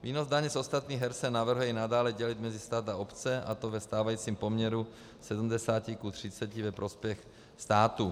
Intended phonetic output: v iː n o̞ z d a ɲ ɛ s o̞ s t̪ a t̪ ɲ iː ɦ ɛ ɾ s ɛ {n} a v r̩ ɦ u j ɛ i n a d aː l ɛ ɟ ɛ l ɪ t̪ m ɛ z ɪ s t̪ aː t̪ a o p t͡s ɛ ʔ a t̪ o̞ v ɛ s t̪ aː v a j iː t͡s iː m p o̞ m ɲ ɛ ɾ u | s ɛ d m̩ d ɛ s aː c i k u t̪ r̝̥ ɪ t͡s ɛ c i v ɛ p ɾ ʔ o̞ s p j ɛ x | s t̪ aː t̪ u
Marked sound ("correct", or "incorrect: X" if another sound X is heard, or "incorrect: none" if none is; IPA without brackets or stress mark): correct